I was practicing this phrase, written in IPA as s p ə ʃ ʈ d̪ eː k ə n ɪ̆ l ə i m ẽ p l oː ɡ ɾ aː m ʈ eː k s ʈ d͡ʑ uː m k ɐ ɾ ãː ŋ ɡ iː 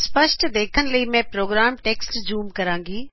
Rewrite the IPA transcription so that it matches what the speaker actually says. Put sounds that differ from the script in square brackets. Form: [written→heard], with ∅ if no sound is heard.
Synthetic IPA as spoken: s p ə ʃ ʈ d̪ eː [k→kʰ] ə n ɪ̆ l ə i m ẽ p [l→ɾ] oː ɡ ɾ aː m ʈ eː k s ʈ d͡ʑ uː m k ɐ ɾ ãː ŋ ɡ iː